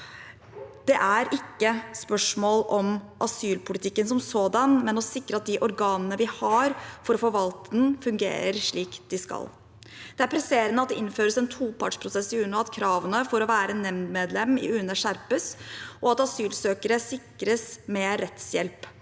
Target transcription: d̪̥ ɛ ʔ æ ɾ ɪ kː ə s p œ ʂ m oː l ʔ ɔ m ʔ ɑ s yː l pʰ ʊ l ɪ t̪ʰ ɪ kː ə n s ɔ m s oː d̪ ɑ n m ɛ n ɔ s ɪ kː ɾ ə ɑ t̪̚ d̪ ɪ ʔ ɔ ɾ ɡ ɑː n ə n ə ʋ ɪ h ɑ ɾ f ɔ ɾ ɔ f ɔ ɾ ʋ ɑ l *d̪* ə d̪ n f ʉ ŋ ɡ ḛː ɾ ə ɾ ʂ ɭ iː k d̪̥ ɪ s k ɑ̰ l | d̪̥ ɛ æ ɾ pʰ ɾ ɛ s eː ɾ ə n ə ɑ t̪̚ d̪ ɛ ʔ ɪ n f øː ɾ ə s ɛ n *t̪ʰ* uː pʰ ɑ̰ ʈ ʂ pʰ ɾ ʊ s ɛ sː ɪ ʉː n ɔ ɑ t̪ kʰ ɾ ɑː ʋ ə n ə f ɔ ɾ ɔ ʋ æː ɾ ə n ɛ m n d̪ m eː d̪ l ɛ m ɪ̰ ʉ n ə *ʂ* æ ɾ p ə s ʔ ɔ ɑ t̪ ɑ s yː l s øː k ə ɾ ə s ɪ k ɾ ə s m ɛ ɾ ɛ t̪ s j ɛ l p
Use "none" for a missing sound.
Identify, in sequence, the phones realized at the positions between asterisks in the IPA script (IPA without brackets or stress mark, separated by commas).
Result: t̪, t̪ʰ, ʂ